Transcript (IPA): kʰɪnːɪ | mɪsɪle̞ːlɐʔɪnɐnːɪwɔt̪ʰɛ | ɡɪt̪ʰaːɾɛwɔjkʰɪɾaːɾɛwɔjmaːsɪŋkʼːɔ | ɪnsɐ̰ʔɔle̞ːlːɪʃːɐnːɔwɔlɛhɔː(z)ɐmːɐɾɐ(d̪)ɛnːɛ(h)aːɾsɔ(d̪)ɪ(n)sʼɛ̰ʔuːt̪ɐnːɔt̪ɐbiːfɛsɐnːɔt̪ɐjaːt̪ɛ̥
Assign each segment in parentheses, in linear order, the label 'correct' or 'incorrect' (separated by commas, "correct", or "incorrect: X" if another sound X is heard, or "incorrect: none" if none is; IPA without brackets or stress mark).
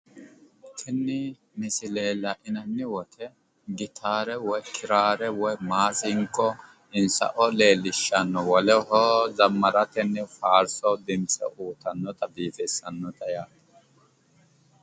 correct, incorrect: t̪, incorrect: f, correct, incorrect: m